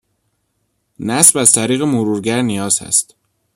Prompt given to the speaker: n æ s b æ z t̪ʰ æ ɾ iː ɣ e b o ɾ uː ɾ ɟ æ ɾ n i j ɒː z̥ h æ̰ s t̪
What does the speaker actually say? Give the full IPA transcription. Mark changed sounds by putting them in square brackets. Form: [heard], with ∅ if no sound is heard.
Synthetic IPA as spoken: n æ s b æ z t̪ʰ æ ɾ iː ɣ e [m] o ɾ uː ɾ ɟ æ ɾ n i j ɒː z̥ h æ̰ s t̪